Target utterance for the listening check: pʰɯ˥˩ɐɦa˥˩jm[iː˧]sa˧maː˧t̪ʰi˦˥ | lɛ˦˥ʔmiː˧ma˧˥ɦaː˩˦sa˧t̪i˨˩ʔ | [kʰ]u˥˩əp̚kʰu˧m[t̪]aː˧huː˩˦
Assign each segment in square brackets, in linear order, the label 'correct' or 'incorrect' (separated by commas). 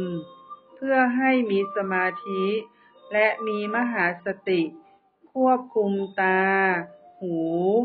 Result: correct, correct, correct